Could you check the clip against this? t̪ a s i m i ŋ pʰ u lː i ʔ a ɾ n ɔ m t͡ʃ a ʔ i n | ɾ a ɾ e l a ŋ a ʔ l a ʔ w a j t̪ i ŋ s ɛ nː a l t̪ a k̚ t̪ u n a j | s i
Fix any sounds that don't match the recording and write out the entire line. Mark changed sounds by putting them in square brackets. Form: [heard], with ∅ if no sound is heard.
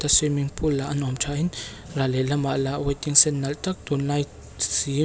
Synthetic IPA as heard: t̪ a s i m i ŋ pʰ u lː [a] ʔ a [∅] n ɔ m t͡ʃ a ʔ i n | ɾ a [l] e l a [m] a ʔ l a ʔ w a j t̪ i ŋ s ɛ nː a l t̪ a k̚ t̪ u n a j | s i